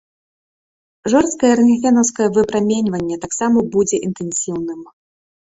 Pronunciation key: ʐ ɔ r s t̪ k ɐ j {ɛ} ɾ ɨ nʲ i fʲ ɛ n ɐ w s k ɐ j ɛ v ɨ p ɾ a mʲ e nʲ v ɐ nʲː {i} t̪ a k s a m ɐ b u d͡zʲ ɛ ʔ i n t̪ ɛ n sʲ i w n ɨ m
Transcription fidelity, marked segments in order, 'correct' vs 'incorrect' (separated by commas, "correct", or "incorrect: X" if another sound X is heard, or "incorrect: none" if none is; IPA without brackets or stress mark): correct, incorrect: ɛ